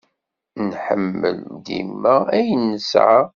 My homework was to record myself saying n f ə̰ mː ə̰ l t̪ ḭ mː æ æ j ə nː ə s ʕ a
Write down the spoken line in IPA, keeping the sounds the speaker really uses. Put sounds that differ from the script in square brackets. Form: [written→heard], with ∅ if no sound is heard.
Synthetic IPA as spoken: n [f→ħ] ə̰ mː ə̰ l [t̪→d̪] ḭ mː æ æ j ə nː ə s ʕ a